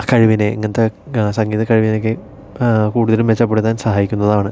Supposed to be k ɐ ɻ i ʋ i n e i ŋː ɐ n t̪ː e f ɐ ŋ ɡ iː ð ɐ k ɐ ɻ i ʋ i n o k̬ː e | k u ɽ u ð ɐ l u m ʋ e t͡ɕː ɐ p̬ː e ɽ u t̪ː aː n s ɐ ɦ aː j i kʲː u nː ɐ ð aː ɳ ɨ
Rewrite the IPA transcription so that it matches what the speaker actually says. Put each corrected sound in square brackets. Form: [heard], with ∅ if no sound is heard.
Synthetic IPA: k ɐ ɻ i ʋ i n e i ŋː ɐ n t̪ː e [s] ɐ ŋ ɡ iː ð ɐ k ɐ ɻ i ʋ i n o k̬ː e | k [uː] ɽ u ð ɐ l u m ʋ e t͡ɕː ɐ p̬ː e ɽ u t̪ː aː n s ɐ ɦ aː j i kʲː u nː ɐ ð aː ɳ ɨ